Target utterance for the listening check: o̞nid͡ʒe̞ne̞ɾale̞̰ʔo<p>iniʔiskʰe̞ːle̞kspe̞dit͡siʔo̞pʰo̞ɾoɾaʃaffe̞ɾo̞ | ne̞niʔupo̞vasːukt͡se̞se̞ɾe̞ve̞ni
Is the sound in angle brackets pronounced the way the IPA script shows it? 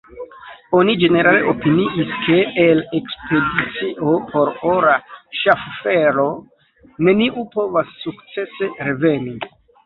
yes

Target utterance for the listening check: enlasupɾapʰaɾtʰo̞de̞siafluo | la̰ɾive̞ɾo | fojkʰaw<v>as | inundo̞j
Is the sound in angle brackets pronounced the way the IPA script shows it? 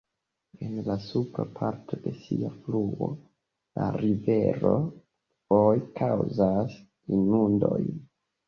no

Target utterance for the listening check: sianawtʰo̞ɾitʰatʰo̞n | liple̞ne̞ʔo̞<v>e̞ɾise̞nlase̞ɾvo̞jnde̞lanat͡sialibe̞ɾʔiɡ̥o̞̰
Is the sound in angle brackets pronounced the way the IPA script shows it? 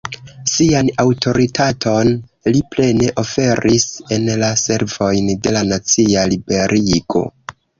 no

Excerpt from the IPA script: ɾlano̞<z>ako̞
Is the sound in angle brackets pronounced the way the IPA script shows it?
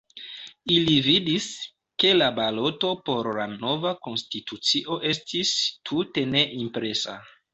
no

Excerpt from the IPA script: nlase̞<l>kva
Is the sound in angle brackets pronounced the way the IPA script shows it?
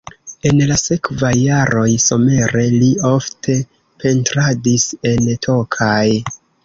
no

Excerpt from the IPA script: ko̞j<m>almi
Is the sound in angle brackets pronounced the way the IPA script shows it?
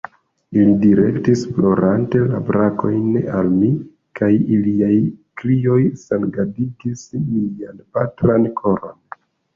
no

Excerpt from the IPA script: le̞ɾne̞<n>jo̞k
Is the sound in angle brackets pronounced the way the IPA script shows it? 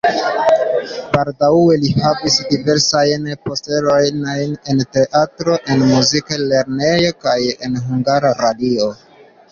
no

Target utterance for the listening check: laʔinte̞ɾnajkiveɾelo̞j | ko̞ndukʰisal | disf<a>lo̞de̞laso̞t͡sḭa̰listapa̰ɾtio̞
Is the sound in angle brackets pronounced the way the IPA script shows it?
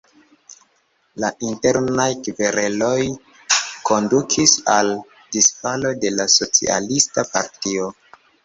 yes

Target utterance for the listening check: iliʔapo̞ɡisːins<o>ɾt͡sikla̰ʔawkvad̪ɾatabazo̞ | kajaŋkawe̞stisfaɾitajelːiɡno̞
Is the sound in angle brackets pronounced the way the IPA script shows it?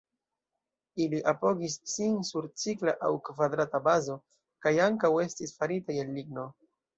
no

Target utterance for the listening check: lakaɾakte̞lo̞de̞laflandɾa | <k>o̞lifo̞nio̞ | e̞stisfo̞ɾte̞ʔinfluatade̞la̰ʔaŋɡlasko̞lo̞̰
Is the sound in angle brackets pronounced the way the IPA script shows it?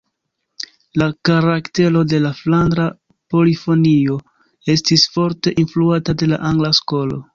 no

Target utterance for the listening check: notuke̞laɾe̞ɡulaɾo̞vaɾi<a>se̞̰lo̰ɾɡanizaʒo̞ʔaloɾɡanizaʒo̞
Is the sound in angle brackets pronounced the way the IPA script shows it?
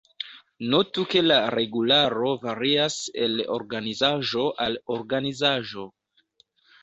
yes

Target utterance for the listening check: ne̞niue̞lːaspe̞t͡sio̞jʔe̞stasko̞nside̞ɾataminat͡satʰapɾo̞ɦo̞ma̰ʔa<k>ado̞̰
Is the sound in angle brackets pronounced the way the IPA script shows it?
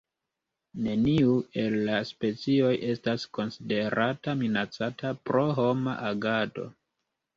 no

